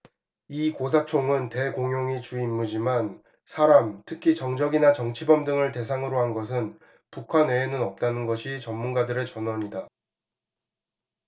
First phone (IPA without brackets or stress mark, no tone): i